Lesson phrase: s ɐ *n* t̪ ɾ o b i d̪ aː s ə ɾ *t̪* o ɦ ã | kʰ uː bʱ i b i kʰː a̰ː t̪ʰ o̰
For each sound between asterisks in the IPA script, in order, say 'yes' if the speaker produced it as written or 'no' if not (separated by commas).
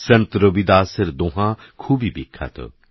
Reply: yes, no